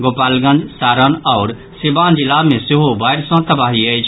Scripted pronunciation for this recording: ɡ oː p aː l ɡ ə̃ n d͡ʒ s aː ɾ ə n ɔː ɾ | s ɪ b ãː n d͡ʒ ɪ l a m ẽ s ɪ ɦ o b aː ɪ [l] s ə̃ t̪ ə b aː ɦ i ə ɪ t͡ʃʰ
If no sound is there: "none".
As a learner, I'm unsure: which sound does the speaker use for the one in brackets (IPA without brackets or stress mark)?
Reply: ɾ